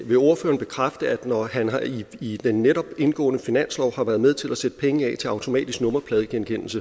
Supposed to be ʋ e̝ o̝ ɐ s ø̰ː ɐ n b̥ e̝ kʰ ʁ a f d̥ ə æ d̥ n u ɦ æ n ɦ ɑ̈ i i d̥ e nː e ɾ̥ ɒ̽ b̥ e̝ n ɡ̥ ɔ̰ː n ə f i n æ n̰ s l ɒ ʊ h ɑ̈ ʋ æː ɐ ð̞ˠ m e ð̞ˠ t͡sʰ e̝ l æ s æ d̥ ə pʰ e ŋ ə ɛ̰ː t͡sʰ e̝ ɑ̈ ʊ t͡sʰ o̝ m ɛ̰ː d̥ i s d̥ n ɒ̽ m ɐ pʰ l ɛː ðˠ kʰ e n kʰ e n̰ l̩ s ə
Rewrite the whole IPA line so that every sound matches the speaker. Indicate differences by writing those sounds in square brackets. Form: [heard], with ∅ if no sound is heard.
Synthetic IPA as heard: ʋ e̝ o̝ ɐ [f] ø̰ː ɐ n b̥ e̝ kʰ ʁ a f d̥ ə æ d̥ n [ɒ] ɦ æ n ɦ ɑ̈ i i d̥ e nː e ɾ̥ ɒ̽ b̥ e̝ n ɡ̥ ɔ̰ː n ə f i n æ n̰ s l ɒ ʊ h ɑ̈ ʋ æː ɐ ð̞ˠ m e ð̞ˠ t͡sʰ e̝ l æ s [e] d̥ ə pʰ e ŋ ə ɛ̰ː t͡sʰ e̝ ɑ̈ ʊ t͡sʰ o̝ m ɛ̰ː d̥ i s [ɡ̥] n [ɔ̽] m ɐ pʰ l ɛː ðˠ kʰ e n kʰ e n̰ l̩ s ə